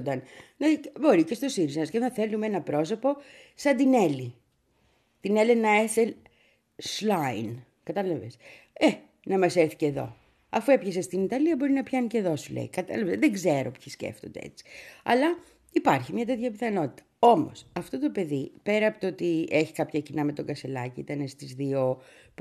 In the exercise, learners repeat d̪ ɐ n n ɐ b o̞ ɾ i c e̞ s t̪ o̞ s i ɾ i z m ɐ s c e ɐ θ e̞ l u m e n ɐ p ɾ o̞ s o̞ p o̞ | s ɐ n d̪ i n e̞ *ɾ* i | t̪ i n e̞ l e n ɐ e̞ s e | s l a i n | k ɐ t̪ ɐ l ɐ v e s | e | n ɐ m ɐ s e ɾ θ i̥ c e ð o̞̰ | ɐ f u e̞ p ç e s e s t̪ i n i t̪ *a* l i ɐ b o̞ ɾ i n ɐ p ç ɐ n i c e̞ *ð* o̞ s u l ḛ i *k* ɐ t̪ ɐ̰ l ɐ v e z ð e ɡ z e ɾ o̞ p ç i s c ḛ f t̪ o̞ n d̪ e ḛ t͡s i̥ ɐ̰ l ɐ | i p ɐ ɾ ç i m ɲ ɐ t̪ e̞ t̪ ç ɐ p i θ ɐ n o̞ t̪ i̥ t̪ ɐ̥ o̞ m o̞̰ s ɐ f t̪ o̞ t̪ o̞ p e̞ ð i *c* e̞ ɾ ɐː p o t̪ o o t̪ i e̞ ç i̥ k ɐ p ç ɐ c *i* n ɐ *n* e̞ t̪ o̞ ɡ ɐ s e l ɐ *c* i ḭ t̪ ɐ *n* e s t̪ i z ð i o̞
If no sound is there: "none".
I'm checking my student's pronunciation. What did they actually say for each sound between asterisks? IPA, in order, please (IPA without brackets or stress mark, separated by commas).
l, ɐ, ð, k, p, i, m, c, n